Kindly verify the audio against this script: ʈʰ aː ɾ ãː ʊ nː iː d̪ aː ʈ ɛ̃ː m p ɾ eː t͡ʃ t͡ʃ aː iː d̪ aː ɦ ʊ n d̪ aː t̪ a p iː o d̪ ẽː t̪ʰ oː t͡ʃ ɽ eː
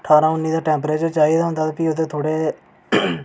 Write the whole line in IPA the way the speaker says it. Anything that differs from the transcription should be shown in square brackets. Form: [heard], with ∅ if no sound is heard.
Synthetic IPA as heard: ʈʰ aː ɾ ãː ʊ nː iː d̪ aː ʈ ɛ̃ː m p ɾ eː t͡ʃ t͡ʃ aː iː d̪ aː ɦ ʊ n d̪ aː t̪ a p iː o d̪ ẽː t̪ʰ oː [∅] ɽ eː